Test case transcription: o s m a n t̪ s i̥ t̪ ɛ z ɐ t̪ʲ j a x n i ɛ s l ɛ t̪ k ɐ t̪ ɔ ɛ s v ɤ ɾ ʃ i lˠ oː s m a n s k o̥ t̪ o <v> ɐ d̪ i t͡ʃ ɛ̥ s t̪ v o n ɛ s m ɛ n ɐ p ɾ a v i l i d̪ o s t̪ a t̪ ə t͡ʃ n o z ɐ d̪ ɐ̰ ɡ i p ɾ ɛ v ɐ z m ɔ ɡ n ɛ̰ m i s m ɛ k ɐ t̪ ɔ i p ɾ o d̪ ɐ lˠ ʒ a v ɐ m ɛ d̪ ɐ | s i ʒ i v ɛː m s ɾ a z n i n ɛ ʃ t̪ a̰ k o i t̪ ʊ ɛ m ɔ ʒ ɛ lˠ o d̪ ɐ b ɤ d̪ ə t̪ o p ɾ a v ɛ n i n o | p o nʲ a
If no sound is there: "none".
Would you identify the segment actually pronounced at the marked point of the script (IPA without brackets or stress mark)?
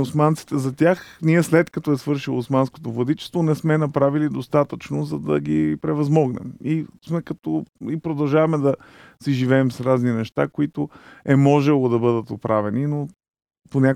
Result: v